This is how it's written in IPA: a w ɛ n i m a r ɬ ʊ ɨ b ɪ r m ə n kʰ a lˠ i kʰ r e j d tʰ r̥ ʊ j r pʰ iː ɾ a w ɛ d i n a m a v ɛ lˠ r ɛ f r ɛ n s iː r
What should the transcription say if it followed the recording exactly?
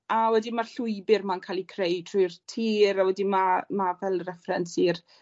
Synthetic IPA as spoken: a w ɛ d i m a r ɬ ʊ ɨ b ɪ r m a n kʰ a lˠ i kʰ r e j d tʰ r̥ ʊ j r tʰ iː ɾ a w ɛ d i m a m a v ɛ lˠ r ɛ f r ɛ n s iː r